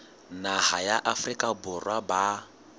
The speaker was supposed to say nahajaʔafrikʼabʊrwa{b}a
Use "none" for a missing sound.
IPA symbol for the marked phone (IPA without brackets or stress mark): b